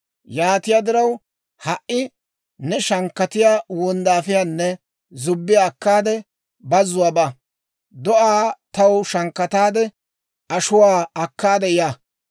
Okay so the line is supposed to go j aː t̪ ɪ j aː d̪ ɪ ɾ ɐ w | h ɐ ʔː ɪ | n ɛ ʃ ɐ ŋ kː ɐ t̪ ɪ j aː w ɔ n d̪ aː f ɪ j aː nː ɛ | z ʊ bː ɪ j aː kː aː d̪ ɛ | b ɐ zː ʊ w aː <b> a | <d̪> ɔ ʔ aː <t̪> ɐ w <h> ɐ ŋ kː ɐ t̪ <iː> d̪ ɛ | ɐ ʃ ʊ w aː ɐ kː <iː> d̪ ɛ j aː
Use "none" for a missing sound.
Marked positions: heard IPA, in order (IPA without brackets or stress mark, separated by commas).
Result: b, d̪, t̪, ʃ, aː, aː